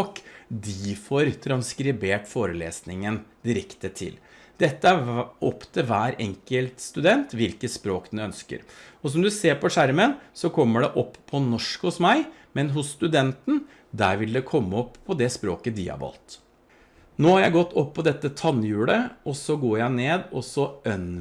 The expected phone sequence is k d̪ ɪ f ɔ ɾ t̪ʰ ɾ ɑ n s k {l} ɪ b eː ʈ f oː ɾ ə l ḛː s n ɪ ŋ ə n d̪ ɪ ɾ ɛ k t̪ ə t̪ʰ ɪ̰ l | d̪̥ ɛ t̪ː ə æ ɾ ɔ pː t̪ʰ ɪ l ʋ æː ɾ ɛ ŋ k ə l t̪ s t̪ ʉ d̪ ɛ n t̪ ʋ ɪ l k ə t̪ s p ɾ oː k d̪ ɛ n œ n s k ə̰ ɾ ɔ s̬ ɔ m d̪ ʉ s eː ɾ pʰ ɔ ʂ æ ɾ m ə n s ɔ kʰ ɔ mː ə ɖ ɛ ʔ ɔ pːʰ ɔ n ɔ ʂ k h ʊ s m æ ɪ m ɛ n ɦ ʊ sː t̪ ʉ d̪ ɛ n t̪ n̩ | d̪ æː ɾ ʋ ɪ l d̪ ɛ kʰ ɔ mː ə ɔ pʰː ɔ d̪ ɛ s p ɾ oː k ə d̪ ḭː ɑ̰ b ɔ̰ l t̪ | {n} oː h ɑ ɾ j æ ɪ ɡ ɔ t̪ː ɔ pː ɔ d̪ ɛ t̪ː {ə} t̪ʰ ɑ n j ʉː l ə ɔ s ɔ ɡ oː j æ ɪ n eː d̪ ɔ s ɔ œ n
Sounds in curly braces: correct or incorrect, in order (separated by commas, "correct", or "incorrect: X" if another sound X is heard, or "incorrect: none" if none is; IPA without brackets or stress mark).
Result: incorrect: ɾ, correct, correct